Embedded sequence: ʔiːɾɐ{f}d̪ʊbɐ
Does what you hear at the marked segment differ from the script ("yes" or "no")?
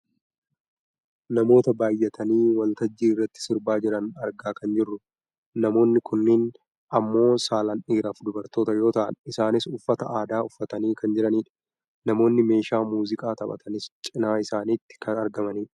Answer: no